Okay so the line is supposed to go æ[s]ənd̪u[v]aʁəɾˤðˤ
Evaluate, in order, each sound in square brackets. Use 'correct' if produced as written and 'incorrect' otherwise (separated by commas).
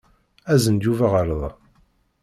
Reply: incorrect, correct